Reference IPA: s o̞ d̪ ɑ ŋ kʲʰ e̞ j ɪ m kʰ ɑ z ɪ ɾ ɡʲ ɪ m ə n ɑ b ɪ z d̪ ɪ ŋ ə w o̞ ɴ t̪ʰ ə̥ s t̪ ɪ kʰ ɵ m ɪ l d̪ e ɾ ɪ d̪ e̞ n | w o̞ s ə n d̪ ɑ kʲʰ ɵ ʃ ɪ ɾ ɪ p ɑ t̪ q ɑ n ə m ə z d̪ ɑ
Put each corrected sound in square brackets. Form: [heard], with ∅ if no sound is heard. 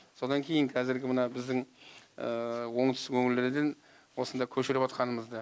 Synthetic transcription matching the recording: s o̞ d̪ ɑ ŋ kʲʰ e̞ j ɪ [ŋ] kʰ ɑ z ɪ ɾ ɡʲ ɪ m ə n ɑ b ɪ z d̪ ɪ ŋ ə w o̞ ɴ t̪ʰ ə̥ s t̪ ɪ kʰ ɵ [ŋ] ɪ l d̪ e ɾ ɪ d̪ e̞ n | w o̞ s ə n d̪ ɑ kʲʰ ɵ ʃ ɪ ɾ ɪ p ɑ t̪ q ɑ n ə m ə z d̪ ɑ